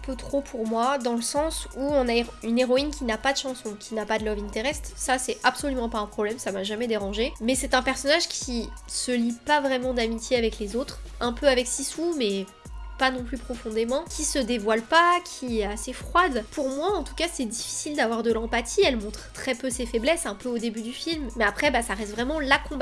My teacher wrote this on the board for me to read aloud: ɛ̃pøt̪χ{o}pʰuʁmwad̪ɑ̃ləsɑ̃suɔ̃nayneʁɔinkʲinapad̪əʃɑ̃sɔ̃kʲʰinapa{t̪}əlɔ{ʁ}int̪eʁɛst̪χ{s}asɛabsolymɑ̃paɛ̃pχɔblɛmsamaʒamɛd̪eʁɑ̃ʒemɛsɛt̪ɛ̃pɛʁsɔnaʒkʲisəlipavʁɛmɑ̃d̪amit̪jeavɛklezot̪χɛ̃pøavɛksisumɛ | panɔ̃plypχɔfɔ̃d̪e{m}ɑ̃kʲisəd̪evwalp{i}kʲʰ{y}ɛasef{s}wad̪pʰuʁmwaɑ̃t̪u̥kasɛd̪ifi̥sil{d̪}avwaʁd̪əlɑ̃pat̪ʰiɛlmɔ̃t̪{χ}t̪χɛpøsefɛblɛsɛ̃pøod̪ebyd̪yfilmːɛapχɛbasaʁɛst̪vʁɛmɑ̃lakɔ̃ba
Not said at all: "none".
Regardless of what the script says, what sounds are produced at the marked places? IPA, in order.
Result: o, d̪, v, s, m, a, i, χ, d̪, χ

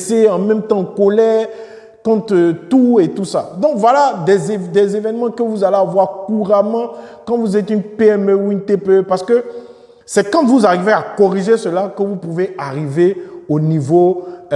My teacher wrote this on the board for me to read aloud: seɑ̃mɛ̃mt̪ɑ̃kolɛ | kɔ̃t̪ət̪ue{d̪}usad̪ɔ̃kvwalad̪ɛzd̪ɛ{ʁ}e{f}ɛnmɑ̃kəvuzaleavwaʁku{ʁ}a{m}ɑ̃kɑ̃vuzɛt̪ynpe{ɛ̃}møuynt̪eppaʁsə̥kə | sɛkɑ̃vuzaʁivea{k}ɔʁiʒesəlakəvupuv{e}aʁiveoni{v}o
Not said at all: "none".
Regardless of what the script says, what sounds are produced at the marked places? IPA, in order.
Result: t̪, z, v, ʁ, m, ɛ, k, e, v

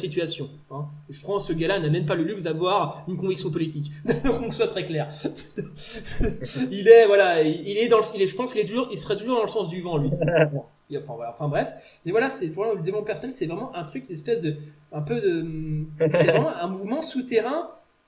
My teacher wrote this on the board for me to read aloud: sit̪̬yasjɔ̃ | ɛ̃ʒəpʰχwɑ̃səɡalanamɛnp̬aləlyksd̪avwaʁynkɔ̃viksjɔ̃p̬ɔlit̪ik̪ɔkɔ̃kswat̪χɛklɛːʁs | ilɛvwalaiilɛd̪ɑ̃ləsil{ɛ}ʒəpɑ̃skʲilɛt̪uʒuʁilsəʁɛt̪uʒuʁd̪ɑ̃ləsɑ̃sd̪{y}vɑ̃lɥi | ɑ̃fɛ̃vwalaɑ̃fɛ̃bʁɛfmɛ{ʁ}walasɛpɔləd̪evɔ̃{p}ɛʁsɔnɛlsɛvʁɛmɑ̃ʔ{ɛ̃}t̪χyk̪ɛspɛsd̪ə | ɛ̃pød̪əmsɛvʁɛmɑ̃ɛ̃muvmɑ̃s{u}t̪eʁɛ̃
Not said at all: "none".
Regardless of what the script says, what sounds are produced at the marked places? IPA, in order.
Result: ɛ, y, v, p, ɛ̃, u

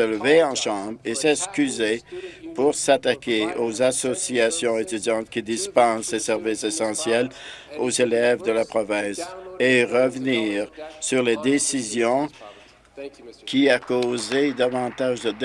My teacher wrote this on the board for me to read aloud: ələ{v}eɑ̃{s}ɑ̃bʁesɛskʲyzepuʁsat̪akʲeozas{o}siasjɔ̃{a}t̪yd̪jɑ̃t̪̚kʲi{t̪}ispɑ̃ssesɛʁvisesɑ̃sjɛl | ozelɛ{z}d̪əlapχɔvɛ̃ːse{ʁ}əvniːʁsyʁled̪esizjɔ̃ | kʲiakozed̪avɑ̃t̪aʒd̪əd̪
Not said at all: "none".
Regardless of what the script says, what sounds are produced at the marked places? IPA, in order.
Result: v, ʃ, ɔ, e, d̪, v, ʁ

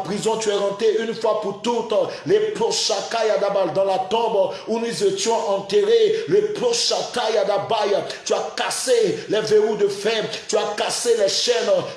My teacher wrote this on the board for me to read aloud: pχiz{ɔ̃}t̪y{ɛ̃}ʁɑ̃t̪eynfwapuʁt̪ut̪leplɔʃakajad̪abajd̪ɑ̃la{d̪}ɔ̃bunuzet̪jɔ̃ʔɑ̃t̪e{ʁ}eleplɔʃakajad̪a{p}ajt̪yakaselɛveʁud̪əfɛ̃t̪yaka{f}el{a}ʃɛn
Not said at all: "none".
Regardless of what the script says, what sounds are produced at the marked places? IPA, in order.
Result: ɔ̃, ɛ, t̪, ʁ, b, s, ɛ

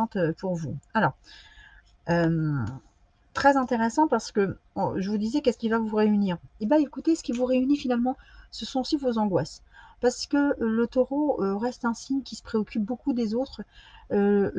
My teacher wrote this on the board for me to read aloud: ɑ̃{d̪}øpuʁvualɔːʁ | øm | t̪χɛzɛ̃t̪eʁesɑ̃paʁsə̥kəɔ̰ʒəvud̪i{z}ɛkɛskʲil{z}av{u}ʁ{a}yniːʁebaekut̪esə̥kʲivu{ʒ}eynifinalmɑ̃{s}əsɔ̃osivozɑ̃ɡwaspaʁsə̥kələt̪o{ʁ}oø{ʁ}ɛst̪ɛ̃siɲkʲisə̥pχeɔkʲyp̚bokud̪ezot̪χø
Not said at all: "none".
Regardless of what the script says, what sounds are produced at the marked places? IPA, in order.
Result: t̪, z, v, u, e, ʁ, s, ʁ, ʁ

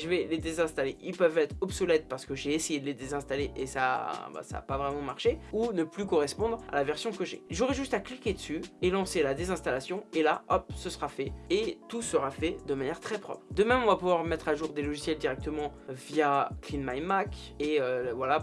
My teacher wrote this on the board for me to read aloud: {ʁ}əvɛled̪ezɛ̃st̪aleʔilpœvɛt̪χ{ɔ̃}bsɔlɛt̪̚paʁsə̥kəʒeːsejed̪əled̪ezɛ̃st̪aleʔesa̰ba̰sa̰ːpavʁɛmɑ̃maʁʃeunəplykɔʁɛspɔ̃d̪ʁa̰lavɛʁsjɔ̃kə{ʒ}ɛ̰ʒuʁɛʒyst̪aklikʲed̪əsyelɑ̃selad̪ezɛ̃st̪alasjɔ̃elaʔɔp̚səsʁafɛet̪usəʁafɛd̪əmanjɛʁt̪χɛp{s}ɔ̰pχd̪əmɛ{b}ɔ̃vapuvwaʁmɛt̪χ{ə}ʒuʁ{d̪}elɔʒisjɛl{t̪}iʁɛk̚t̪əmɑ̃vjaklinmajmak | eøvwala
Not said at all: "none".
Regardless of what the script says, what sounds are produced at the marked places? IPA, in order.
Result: ʒ, ɔ, ʒ, χ, m, a, d̪, d̪

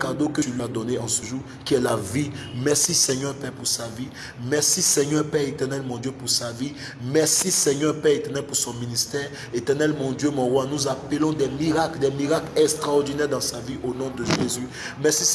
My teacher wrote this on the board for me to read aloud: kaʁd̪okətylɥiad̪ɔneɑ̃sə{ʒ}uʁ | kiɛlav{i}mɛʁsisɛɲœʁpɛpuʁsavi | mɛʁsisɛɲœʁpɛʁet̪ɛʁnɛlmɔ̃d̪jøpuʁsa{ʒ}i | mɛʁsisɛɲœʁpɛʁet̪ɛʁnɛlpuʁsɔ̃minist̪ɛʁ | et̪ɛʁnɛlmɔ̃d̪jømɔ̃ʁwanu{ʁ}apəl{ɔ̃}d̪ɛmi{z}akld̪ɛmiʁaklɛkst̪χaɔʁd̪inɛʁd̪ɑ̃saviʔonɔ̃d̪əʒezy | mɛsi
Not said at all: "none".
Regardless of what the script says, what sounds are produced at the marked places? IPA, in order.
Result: ʒ, i, v, z, ɔ̃, ʁ

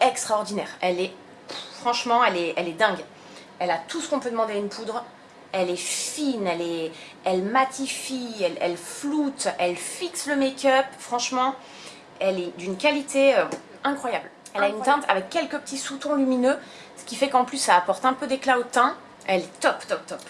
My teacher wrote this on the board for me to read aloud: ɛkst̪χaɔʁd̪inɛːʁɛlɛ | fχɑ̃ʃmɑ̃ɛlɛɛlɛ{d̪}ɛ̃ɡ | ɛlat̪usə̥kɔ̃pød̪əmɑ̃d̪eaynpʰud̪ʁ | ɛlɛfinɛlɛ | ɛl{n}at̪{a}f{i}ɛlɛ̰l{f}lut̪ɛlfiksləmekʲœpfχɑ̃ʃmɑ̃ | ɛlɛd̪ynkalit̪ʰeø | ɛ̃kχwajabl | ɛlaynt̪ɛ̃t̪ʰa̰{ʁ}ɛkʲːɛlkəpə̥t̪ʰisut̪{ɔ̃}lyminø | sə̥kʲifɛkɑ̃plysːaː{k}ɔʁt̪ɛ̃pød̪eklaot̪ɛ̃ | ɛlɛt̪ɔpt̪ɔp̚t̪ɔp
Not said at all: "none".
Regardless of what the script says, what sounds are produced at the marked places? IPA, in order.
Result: d̪, m, i, i, f, v, ɔ̃, p

